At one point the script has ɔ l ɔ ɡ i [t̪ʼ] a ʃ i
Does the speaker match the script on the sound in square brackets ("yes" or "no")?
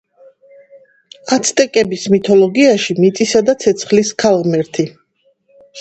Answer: no